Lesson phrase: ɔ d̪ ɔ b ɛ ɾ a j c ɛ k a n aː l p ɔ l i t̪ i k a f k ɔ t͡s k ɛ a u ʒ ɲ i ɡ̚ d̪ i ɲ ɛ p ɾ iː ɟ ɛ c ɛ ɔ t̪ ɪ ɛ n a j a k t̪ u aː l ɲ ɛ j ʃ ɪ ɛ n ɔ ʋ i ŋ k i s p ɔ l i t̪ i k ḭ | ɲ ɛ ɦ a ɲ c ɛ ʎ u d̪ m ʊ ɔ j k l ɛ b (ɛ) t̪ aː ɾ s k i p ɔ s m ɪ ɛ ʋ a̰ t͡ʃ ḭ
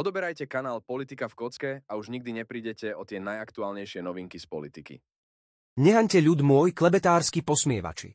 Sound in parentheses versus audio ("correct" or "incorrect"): correct